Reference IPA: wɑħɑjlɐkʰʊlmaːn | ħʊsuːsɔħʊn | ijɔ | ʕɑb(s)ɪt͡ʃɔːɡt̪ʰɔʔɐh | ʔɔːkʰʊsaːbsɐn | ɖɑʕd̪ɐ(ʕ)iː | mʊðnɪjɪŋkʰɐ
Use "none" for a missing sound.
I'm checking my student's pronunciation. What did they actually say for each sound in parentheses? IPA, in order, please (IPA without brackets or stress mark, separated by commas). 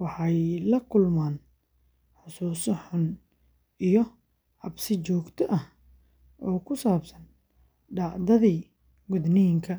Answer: s, ð